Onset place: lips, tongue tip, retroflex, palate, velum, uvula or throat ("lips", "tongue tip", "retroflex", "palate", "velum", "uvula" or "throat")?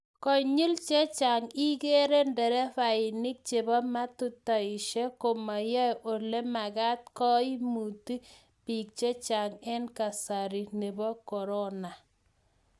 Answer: velum